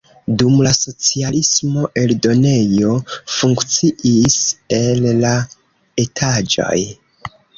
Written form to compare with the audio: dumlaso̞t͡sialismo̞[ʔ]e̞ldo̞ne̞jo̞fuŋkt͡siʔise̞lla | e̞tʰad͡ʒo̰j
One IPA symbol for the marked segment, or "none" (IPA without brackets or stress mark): ʔ